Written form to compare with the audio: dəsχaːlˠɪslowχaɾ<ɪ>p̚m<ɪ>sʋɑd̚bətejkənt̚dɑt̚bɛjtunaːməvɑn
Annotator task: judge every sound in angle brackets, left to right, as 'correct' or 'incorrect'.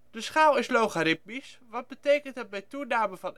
correct, incorrect: i

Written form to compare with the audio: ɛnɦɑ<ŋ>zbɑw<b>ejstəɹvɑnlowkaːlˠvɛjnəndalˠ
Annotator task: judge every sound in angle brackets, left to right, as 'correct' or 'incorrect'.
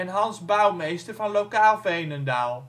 incorrect: n, incorrect: m

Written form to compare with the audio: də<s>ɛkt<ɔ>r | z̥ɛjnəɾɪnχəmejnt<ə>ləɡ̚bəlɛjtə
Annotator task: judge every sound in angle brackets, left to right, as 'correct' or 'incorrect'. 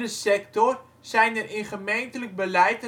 correct, correct, correct

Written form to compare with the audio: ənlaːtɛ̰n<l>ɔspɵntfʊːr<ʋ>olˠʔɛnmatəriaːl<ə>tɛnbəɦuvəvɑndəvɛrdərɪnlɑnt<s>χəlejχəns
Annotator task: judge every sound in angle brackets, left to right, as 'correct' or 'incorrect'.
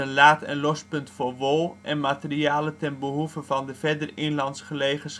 correct, correct, correct, correct

